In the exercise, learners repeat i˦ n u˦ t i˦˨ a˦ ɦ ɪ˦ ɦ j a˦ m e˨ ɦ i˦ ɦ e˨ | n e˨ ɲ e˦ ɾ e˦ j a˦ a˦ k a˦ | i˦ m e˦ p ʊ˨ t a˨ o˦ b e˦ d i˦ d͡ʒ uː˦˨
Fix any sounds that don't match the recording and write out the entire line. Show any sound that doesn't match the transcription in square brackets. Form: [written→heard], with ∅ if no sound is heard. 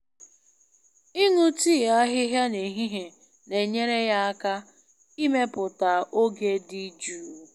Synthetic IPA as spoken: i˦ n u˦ t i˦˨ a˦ ɦ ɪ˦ ɦ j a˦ [m→n] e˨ ɦ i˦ ɦ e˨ | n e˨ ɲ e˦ ɾ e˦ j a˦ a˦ k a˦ | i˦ m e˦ p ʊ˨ t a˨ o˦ [b→ɡ] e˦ d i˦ d͡ʒ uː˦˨

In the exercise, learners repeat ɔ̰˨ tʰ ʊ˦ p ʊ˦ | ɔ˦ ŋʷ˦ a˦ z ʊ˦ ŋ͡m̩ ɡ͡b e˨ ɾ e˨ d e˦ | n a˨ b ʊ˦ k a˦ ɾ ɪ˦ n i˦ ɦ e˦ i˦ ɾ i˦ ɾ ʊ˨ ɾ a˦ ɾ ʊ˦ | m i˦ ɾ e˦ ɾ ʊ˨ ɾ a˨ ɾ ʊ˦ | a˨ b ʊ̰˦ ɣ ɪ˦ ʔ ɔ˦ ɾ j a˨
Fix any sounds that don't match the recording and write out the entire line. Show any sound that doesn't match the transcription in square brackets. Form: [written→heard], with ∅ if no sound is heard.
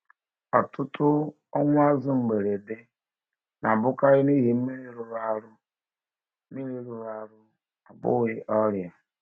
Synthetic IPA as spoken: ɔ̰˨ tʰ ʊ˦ [p→t] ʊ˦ | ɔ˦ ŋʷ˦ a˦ z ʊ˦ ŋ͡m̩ ɡ͡b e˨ ɾ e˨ d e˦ | n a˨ b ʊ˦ k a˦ ɾ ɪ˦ n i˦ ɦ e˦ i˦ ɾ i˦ ɾ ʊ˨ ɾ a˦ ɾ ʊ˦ | m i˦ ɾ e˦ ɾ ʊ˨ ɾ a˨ ɾ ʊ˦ | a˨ b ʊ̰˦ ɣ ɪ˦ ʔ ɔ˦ ɾ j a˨

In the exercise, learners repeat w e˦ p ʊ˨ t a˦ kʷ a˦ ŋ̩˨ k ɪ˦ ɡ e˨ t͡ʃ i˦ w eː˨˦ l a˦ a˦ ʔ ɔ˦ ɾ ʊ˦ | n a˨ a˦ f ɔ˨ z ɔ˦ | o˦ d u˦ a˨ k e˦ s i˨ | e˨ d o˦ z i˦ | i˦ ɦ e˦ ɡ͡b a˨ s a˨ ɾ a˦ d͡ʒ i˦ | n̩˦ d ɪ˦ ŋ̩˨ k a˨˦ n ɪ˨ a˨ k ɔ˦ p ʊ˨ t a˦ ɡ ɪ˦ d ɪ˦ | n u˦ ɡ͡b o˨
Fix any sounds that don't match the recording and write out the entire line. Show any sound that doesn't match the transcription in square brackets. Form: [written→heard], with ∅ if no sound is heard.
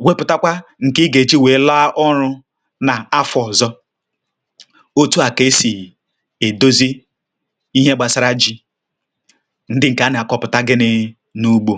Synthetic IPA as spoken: w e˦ p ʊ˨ t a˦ kʷ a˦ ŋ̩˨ k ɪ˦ ɡ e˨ t͡ʃ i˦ w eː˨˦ l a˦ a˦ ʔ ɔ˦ ɾ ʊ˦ | n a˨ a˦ f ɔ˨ z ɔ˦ | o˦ [d→t] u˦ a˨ k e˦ s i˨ | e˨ d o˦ z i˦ | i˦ ɦ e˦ ɡ͡b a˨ s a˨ ɾ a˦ d͡ʒ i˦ | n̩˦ d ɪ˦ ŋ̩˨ k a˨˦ n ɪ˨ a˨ k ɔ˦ p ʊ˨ t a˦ ɡ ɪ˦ [d→n] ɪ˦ | n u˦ ɡ͡b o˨

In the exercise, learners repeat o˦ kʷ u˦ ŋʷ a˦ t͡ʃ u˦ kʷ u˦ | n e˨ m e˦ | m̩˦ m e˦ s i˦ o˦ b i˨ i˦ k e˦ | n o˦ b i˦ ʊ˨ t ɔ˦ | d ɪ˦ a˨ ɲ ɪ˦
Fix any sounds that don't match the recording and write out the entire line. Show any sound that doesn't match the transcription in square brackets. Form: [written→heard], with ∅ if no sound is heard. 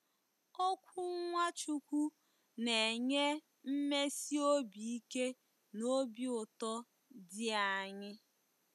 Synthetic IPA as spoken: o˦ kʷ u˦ ŋʷ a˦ t͡ʃ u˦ kʷ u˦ | n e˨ [m→ɲ] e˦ | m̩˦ m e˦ s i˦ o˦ b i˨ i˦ k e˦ | n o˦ b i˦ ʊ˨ t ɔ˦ | d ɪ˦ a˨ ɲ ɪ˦

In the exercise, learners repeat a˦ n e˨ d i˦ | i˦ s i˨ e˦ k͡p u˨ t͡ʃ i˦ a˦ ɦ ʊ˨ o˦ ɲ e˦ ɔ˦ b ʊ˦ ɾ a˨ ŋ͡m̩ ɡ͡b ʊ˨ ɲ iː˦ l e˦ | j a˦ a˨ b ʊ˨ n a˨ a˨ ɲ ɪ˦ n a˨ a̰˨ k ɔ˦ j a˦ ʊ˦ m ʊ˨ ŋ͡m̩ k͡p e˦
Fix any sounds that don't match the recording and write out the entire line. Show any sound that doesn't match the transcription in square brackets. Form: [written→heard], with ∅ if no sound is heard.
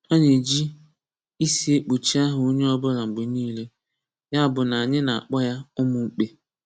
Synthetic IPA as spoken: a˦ [n→ɲ] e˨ [d→d͡ʒ] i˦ | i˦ s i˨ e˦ k͡p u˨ t͡ʃ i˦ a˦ ɦ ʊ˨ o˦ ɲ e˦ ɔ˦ b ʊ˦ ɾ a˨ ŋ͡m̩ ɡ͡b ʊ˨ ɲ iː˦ l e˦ | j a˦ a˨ b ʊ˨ n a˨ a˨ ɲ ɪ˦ n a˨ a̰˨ [k→k͡p] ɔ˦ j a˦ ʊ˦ m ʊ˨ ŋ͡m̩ k͡p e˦

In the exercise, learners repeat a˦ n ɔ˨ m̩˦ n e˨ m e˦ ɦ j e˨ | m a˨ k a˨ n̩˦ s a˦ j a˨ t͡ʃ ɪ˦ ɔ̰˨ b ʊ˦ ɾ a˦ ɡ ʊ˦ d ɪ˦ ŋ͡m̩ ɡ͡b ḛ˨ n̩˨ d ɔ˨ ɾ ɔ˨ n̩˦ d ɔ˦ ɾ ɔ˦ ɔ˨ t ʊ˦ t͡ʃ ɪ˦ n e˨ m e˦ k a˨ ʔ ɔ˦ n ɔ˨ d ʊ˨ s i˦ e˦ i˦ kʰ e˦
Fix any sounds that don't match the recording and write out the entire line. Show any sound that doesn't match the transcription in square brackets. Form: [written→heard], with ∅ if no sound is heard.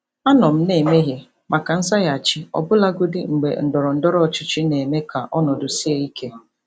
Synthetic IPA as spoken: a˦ n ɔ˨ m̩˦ n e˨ m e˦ ɦ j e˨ | m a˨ k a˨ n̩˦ s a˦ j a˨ t͡ʃ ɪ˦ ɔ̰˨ b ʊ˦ [ɾ→l] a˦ ɡ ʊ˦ d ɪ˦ ŋ͡m̩ ɡ͡b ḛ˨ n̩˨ d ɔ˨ ɾ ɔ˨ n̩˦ d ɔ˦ ɾ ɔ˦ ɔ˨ [t→t͡ʃ] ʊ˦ t͡ʃ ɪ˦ n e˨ m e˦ k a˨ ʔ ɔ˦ n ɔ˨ d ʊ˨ s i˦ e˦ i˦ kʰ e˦

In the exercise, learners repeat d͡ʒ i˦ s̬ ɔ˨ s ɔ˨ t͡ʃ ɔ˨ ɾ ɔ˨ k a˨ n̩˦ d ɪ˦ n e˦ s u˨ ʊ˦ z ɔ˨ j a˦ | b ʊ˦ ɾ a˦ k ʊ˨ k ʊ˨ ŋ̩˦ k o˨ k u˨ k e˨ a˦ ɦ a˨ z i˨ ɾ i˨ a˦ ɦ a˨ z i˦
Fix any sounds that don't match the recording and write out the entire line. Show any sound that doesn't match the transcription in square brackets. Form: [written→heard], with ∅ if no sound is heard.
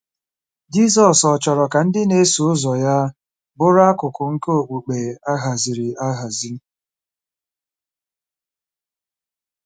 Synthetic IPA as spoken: d͡ʒ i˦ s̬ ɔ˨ s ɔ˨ t͡ʃ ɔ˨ ɾ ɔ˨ k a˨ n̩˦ d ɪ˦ n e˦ s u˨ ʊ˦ z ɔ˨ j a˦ | b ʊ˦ ɾ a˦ k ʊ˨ k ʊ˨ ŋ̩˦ k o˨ [k→k͡p] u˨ [k→k͡p] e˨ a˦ ɦ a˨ z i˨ ɾ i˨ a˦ ɦ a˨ z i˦

